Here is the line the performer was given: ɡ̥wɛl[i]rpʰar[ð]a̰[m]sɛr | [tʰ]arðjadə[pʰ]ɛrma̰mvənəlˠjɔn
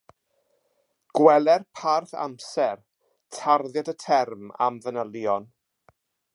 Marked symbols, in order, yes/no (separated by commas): no, no, yes, yes, no